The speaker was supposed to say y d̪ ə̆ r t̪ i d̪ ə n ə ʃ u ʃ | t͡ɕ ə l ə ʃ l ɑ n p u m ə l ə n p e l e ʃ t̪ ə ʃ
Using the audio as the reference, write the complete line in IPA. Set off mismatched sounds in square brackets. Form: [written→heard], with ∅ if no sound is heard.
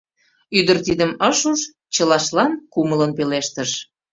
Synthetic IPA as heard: y d̪ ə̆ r t̪ i d̪ ə [n→m] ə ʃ u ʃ | t͡ɕ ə l [ə→ɑ] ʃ l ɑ n [p→k] u m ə l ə n p e l e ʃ t̪ ə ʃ